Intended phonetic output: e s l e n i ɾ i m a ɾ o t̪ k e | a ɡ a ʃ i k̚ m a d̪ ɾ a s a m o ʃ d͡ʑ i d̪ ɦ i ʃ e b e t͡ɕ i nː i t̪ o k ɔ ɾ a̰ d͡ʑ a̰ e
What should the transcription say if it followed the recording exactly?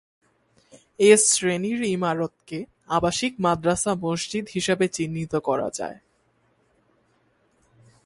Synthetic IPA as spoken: e s ɾ e n i ɾ i m a ɾ o t̪ k e | a b a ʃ i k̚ m a d̪ ɾ a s a m o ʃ d͡ʑ i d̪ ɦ i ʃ e b e t͡ɕ i nː i t̪ o k ɔ ɾ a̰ d͡ʑ a̰ e